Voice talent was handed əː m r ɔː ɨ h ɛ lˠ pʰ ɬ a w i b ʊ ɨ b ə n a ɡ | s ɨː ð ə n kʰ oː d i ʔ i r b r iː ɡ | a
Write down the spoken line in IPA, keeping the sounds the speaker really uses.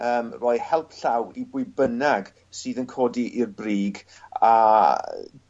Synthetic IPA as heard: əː m r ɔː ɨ h ɛ lˠ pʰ ɬ a w i b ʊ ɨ b ə n a ɡ | s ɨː ð ə n kʰ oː d i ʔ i r b r iː ɡ | a